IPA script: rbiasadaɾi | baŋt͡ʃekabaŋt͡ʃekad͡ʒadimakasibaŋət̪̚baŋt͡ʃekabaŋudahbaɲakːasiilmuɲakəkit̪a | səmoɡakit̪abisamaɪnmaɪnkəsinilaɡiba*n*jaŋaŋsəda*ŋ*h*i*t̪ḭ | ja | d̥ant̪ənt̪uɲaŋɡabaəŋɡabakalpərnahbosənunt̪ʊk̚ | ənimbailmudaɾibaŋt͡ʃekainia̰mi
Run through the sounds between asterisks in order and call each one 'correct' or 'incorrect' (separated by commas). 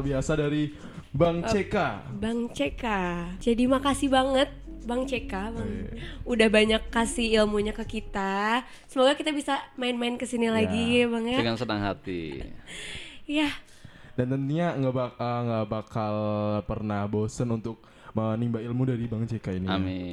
incorrect, correct, incorrect